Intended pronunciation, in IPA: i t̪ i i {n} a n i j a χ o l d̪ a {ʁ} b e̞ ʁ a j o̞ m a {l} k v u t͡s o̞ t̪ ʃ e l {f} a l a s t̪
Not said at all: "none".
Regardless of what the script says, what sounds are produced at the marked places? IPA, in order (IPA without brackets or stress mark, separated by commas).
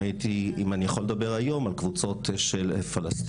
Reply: m, none, l, f